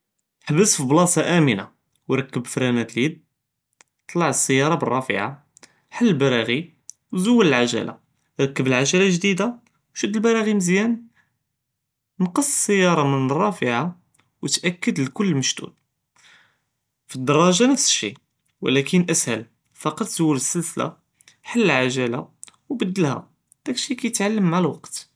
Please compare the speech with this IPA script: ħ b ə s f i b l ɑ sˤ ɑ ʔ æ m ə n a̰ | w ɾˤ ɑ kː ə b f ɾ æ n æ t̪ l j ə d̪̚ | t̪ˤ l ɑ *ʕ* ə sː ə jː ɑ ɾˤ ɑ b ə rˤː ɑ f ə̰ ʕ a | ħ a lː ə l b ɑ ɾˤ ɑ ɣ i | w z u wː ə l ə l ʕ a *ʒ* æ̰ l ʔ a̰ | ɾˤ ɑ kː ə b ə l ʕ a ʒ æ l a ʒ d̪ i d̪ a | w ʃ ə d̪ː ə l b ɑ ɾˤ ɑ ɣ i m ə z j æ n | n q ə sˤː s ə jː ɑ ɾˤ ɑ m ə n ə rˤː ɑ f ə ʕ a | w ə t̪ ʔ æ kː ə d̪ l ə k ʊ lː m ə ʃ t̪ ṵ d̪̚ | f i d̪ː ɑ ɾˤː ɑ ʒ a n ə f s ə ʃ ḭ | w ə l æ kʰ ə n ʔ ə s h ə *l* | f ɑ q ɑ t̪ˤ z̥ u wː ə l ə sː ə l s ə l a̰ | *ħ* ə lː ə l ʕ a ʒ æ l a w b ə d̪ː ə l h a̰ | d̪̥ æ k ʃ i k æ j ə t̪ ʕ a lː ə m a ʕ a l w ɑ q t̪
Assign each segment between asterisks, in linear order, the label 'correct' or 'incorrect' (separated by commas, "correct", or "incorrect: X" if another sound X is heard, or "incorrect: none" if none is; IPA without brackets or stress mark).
correct, correct, correct, correct